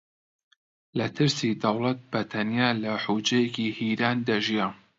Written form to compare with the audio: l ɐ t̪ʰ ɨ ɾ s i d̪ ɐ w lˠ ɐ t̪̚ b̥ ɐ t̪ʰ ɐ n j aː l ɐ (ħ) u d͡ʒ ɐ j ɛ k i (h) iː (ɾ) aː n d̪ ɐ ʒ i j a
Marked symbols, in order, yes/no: yes, yes, yes

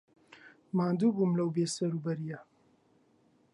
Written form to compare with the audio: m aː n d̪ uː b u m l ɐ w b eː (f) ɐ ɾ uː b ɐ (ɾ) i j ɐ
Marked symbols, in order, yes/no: no, yes

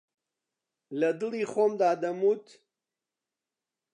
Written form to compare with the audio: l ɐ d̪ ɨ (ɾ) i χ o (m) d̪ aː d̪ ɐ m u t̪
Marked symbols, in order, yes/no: no, yes

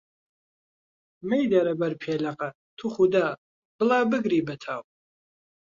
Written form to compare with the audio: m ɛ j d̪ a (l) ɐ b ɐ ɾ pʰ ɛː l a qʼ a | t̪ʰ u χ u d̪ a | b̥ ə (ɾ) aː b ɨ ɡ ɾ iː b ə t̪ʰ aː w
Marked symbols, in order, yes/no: no, no

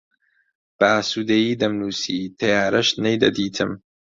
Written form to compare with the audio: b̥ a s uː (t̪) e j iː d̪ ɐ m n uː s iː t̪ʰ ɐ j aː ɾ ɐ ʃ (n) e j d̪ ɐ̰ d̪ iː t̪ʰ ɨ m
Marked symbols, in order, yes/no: no, yes

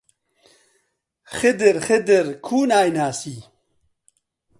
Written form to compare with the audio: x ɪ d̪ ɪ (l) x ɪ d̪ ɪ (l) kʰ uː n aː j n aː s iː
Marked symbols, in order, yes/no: no, no

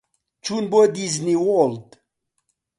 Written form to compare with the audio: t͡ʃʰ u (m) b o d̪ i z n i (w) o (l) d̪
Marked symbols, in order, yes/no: no, yes, yes

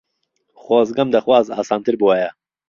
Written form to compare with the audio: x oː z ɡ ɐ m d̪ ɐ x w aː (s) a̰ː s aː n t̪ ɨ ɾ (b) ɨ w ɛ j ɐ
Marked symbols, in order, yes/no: no, yes

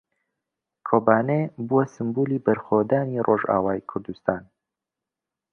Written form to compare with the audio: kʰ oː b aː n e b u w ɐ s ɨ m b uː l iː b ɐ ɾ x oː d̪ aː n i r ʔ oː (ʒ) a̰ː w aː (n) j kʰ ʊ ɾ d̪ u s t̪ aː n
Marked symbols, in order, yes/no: yes, no

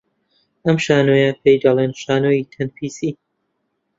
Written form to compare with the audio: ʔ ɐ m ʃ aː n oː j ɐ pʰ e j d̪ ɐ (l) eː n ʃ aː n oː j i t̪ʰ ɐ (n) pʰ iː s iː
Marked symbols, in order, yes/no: yes, yes

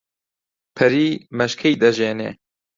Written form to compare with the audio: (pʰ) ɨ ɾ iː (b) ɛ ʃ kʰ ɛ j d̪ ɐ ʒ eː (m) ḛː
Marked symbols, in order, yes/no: yes, no, no

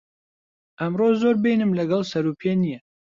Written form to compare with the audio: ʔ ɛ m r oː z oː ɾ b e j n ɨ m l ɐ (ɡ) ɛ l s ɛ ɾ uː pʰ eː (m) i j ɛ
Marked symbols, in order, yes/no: yes, no

